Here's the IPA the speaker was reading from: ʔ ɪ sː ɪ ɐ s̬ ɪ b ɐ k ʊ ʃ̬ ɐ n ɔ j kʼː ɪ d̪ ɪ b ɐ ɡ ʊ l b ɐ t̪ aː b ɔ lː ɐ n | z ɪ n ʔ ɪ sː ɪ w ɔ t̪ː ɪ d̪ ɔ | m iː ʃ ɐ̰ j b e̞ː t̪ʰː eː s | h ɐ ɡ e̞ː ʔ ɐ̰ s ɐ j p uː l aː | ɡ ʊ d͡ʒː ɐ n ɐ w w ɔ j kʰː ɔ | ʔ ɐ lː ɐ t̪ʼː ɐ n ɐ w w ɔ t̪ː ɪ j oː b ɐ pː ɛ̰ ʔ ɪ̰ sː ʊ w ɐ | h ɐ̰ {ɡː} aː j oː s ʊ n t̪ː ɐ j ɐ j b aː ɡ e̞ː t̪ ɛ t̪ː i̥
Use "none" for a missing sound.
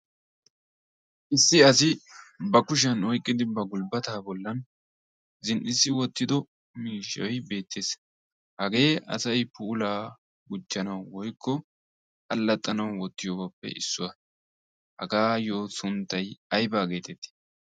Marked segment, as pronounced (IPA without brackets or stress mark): ɡ